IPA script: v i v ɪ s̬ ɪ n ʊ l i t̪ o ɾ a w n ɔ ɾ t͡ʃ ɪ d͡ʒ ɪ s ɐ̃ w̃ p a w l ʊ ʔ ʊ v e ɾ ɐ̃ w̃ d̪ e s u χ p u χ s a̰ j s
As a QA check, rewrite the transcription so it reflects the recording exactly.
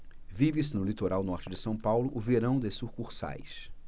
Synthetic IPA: v i v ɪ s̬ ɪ n ʊ l i t̪ o ɾ a w n ɔ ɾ t͡ʃ ɪ d͡ʒ ɪ s ɐ̃ w̃ p a w l ʊ ʔ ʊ v e ɾ ɐ̃ w̃ d̪ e s u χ k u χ s a̰ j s